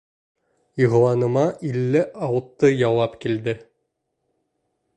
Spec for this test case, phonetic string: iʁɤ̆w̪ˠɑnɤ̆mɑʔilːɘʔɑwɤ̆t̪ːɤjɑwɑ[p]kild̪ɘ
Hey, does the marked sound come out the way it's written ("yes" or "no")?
yes